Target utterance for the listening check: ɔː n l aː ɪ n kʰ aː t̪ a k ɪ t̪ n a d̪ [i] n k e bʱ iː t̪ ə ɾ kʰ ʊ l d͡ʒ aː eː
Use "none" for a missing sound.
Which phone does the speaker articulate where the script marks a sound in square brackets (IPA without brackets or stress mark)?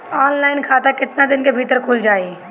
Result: ɪ